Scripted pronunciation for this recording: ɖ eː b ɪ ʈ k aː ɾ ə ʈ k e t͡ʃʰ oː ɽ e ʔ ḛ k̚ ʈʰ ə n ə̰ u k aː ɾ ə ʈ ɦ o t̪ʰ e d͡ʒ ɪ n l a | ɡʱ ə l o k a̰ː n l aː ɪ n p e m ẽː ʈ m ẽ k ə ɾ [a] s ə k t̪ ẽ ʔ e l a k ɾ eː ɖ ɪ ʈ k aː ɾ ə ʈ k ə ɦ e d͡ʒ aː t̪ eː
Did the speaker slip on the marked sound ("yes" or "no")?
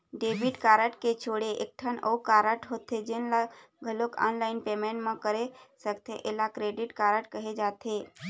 yes